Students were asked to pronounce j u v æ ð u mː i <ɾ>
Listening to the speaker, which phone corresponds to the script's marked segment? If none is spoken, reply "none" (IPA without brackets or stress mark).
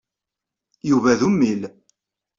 l